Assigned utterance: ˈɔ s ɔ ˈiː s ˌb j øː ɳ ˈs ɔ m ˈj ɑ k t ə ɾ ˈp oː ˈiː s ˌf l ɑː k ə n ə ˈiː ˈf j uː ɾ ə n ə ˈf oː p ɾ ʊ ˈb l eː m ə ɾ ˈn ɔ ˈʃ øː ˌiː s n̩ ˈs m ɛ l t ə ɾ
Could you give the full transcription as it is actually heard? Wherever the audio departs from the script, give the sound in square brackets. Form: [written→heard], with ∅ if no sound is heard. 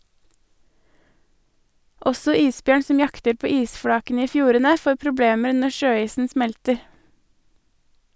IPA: ˈɔ s ɔ ˈiː s ˌb j øː ɳ ˈs ɔ m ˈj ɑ k t ə ɾ ˈp oː ˈiː s ˌf [l→ɽ] ɑː k ə n ə ˈiː ˈf j uː ɾ ə n ə ˈf oː p ɾ ʊ ˈb l eː m ə ɾ ˈn ɔ ˈʃ øː ˌiː s n̩ ˈs m ɛ l t ə ɾ